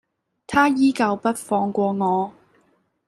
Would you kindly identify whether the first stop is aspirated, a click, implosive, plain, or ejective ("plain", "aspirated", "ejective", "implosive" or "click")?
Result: aspirated